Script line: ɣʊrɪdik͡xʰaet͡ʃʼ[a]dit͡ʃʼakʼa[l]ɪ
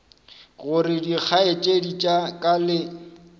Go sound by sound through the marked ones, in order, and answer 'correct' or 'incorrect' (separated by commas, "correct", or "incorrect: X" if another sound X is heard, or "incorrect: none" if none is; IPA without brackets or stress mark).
incorrect: e, correct